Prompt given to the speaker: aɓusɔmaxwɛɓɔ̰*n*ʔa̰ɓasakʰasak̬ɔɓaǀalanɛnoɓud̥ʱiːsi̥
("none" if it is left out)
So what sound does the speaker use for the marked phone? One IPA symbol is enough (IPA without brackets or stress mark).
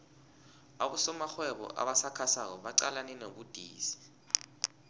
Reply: none